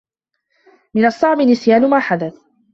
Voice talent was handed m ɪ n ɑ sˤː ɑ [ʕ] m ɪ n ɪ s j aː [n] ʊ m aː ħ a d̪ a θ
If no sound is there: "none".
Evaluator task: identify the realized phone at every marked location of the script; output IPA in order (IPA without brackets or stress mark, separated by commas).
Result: ʕ, n